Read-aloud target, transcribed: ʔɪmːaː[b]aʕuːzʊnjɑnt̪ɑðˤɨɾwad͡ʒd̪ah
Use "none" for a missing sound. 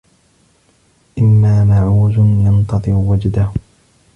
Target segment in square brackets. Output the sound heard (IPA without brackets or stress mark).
m